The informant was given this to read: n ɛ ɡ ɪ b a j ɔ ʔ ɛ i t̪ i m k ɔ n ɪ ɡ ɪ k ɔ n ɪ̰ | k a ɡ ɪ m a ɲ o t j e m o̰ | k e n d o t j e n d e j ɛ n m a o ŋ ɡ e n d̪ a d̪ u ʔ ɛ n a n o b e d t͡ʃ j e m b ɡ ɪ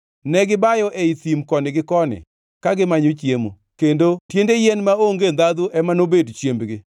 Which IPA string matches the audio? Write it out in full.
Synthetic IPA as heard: n ɛ ɡ ɪ b a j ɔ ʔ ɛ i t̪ i m k ɔ n ɪ ɡ ɪ k ɔ n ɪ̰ | k a ɡ ɪ m a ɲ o t͡ʃ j e m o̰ | k e n d o t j e n d e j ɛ n m a o ŋ ɡ e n d̪ a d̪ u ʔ ɛ m a n o b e d t͡ʃ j e m b ɡ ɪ